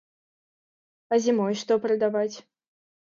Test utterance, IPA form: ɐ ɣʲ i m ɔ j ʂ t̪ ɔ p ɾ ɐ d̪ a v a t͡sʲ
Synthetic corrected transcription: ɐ zʲ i m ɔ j ʂ t̪ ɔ p ɾ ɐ d̪ a v a t͡sʲ